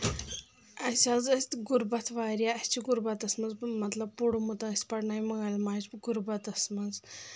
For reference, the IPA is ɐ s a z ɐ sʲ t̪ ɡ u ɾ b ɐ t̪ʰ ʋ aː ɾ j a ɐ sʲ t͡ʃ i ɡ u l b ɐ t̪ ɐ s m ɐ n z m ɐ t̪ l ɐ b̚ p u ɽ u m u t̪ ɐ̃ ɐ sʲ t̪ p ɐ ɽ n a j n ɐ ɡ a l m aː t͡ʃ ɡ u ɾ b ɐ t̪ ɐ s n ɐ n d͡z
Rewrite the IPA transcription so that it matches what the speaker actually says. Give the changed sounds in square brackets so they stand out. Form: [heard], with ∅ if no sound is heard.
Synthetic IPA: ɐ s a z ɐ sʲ t̪ ɡ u ɾ b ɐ t̪ʰ ʋ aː ɾ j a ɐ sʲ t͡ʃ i ɡ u [ɾ] b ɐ t̪ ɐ s m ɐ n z m ɐ t̪ l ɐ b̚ p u ɽ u m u t̪ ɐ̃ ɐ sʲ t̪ p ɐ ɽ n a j [m] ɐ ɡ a l m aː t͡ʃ ɡ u ɾ b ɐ t̪ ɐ s [m] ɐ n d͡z